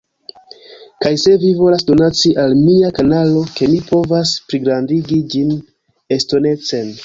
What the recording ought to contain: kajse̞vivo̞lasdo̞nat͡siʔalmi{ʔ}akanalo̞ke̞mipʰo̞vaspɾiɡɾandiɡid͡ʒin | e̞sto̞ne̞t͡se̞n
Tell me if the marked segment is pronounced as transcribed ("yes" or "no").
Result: no